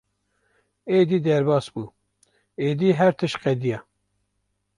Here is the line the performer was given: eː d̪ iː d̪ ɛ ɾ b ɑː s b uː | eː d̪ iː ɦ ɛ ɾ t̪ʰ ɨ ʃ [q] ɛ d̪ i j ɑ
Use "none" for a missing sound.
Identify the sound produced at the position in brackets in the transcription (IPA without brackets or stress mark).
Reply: q